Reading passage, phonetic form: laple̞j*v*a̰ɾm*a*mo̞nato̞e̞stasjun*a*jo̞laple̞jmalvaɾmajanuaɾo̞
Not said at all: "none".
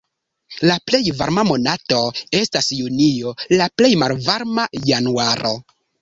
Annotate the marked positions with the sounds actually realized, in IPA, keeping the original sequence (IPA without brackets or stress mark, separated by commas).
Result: v, a, i